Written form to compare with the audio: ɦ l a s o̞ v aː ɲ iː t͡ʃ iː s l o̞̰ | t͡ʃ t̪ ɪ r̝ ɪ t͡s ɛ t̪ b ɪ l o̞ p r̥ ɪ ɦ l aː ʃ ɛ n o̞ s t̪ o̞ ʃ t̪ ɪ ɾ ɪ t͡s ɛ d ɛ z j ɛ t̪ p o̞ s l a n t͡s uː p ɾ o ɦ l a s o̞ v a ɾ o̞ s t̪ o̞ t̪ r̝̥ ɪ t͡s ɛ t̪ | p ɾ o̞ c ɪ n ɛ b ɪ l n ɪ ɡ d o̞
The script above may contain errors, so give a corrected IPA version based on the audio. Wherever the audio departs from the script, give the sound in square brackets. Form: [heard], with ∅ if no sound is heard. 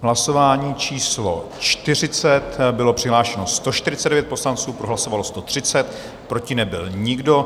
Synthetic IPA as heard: ɦ l a s o̞ v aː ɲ iː t͡ʃ iː s l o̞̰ | t͡ʃ t̪ ɪ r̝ ɪ t͡s ɛ t̪ b ɪ l o̞ p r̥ ɪ ɦ l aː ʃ ɛ n o̞ s t̪ o̞ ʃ t̪ ɪ ɾ ɪ t͡s ɛ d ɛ [v] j ɛ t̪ p o̞ s l a n t͡s uː p ɾ o ɦ l a s o̞ v a [l] o̞ s t̪ o̞ t̪ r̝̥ ɪ t͡s ɛ t̪ | p ɾ o̞ c ɪ n ɛ b ɪ l [ɲ] ɪ ɡ d o̞